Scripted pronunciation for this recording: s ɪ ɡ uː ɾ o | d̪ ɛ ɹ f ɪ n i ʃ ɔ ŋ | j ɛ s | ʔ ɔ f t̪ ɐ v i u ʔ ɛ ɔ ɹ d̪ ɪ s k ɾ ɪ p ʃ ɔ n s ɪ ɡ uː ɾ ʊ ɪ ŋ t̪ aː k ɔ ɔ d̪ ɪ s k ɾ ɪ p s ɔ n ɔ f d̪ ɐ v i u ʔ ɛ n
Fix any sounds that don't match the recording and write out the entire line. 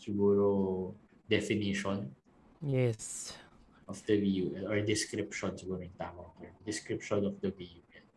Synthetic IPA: s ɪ ɡ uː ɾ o | d̪ ɛ f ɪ n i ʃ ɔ n | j ɛ s | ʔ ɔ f d̪ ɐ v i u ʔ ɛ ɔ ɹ d̪ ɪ s k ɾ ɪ p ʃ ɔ n s ɪ ɡ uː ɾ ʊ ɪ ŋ t̪ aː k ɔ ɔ d̪ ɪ s k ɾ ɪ p ʃ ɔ n ɔ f d̪ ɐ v i u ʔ ɛ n